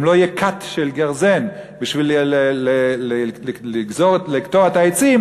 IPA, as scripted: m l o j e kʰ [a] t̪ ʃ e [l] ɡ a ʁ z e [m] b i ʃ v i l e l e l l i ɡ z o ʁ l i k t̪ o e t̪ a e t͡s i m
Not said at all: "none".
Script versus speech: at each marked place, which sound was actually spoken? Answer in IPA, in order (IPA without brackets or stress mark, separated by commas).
a, l, n